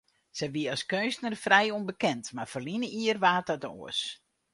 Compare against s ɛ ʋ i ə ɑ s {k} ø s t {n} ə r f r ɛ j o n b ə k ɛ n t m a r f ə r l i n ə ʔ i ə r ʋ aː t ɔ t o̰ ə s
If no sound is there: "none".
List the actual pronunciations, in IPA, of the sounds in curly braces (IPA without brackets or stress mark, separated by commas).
k, n